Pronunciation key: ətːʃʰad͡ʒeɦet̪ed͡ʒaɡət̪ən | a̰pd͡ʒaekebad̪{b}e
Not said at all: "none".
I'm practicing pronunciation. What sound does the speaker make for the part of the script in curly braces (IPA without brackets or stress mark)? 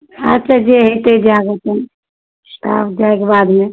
m